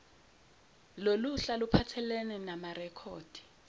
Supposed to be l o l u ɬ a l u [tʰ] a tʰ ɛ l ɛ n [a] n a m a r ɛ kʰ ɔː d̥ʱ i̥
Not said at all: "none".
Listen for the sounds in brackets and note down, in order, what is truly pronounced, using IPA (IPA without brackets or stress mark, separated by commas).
pʰ, ɛ